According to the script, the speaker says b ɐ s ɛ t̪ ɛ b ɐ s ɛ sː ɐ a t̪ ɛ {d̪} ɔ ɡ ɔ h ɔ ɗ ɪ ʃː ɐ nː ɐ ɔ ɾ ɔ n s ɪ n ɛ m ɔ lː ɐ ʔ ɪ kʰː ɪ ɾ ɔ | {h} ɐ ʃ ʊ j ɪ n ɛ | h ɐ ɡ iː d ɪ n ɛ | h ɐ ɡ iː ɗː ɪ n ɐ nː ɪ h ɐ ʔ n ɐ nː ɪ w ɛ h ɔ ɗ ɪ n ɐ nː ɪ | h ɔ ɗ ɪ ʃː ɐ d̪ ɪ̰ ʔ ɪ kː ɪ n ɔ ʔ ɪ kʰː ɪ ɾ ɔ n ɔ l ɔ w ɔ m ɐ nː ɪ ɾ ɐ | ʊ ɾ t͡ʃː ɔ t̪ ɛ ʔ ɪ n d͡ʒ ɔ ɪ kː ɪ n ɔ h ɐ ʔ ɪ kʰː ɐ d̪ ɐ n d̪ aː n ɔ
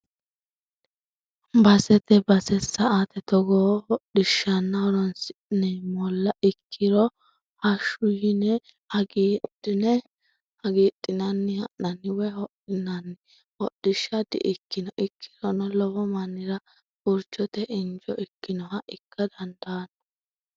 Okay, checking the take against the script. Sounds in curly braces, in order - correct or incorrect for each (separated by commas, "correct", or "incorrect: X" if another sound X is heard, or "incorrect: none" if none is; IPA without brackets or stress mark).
incorrect: t̪, correct